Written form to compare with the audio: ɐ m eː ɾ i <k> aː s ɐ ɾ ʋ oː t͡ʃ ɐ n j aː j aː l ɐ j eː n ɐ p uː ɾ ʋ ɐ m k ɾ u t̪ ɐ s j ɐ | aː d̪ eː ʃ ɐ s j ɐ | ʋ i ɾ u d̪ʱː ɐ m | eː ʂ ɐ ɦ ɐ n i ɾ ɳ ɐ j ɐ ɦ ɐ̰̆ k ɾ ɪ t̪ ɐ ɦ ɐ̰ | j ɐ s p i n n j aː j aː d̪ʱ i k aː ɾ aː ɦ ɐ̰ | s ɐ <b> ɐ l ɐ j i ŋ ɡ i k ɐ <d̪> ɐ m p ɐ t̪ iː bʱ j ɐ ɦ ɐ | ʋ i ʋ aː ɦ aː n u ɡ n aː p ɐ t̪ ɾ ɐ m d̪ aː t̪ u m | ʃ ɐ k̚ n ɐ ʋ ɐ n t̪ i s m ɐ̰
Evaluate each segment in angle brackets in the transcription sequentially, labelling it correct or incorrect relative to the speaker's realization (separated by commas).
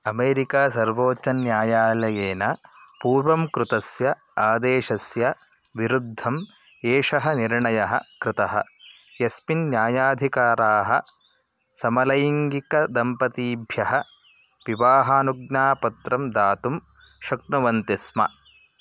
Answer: correct, incorrect, correct